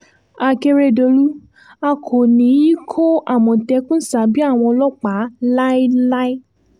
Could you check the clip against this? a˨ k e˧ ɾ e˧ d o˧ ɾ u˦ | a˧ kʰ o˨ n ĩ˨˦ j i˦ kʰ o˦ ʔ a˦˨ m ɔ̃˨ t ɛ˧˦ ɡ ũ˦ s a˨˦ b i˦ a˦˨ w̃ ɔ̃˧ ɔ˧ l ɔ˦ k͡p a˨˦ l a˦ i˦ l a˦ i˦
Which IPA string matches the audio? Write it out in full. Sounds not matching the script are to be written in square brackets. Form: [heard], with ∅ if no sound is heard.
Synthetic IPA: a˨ k e˧ ɾ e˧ d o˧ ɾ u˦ | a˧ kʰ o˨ n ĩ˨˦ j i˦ kʰ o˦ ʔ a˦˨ m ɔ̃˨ t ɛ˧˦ [k] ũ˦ s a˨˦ b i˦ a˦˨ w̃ ɔ̃˧ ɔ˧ l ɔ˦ k͡p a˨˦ l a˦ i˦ l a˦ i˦